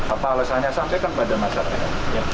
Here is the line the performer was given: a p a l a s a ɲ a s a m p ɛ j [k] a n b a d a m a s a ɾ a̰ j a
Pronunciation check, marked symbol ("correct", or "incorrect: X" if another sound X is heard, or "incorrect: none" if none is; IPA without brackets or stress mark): correct